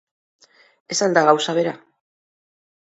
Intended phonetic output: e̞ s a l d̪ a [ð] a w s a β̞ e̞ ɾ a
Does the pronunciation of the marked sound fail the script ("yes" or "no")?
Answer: yes